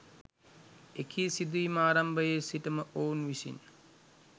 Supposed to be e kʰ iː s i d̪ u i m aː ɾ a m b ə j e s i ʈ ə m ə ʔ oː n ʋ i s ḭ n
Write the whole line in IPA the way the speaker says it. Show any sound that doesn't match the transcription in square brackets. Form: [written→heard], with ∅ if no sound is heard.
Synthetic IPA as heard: e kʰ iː s i d̪ u i m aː ɾ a m b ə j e s i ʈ ə m ə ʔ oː n ʋ i s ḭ n